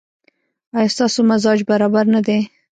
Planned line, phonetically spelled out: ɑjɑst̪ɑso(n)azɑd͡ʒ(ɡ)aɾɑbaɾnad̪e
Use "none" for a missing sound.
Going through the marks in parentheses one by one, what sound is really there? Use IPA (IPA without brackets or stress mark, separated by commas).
m, b